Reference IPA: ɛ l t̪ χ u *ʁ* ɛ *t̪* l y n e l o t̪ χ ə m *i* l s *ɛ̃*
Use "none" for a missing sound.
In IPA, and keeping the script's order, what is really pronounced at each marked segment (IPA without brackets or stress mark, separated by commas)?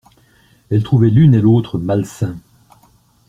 v, none, a, ɛ̃